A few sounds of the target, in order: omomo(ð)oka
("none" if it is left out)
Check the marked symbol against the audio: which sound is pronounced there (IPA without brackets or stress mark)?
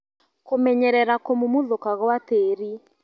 ð